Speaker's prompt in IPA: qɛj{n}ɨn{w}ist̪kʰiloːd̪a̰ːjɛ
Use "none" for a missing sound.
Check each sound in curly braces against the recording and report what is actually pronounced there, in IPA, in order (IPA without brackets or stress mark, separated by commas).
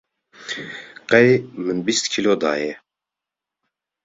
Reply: m, b